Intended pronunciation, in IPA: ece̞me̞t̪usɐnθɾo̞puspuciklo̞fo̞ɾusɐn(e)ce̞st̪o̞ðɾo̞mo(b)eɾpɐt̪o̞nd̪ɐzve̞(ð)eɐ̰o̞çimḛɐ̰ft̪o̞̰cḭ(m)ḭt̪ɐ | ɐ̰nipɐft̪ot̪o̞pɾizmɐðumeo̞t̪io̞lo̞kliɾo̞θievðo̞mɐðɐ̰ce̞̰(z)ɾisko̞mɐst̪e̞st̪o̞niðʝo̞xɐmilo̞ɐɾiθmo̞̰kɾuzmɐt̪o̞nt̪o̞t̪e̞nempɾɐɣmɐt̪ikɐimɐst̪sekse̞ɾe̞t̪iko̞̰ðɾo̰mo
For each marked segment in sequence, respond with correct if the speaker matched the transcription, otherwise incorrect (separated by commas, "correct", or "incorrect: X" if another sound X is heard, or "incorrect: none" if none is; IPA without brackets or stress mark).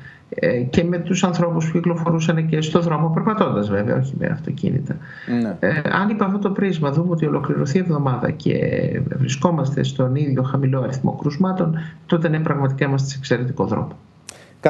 correct, incorrect: p, incorrect: v, incorrect: n, incorrect: v